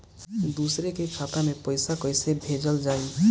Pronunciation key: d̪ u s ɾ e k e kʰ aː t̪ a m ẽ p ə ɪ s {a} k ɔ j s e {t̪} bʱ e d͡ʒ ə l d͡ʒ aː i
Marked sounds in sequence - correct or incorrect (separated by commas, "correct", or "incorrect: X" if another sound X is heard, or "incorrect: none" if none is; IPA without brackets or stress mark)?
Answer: correct, incorrect: none